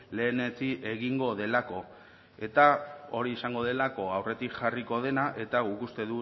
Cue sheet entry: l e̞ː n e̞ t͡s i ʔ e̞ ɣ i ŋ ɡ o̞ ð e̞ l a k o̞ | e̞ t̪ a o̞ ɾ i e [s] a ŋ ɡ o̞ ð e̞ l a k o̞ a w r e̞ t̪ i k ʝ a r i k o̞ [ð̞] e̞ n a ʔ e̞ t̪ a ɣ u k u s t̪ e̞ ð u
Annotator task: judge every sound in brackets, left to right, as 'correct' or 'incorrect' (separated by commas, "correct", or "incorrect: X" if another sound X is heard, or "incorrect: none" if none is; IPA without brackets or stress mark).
correct, correct